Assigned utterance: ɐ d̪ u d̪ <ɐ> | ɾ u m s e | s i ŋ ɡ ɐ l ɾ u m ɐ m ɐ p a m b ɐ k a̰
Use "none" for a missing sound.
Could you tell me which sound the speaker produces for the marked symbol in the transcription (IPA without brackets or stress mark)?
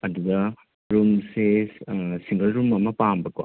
ɐ